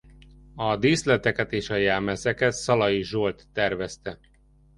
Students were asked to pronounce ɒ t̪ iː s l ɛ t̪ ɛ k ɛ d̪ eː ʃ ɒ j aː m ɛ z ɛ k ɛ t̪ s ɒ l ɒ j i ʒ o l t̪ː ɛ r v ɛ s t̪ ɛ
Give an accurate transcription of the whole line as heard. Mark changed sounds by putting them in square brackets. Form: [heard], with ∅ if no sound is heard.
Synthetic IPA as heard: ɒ [d̪] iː s l ɛ t̪ ɛ k ɛ [t̪] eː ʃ ɒ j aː m ɛ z ɛ k ɛ t̪ s ɒ l ɒ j i ʒ o l t̪ː ɛ r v ɛ s t̪ ɛ